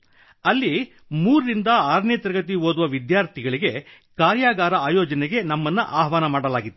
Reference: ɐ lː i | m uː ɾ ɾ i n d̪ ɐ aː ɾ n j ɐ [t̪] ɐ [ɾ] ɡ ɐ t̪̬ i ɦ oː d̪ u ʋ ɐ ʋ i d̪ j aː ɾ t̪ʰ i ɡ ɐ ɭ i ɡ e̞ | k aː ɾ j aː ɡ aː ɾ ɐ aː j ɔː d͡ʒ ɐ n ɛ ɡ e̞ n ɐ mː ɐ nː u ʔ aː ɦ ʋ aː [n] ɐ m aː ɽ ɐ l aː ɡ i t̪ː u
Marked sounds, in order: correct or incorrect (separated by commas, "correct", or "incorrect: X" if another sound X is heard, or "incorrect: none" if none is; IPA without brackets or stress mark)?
correct, correct, correct